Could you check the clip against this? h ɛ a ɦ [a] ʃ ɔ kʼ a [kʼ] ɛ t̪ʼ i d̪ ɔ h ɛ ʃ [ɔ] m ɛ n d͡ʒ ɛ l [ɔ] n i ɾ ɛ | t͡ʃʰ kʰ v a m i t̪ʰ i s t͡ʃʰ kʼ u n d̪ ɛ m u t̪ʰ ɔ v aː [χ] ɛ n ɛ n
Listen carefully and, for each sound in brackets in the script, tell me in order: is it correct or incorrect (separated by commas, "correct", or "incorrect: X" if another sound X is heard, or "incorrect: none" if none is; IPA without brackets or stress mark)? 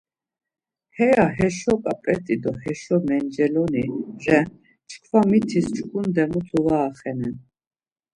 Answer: incorrect: ɛ, incorrect: pʼ, correct, correct, correct